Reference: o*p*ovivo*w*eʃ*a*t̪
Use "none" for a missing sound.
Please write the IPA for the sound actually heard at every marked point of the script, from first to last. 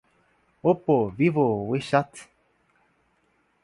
p, w, a

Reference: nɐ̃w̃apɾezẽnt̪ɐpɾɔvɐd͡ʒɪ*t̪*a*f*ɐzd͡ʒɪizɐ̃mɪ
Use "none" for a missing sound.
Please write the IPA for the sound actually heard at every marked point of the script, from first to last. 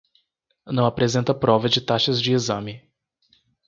t̪, ʃ

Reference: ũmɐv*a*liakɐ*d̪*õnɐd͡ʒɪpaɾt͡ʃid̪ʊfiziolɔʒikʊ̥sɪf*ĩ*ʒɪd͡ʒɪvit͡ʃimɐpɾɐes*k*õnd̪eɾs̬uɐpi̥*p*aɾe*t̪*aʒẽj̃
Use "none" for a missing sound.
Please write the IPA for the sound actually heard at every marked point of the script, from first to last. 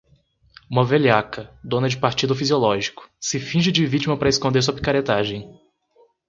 e, d̪, ĩ, k, k, t̪

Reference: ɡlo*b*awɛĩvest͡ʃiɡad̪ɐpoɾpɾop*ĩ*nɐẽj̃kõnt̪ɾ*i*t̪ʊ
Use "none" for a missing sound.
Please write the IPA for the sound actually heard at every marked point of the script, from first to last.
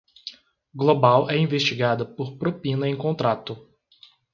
b, ĩ, a

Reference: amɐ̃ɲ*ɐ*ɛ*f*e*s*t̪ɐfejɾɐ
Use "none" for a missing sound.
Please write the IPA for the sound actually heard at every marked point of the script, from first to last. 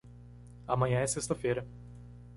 ɐ̃, s, s

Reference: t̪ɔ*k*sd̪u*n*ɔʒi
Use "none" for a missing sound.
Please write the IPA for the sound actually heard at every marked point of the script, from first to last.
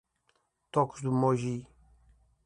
k, m

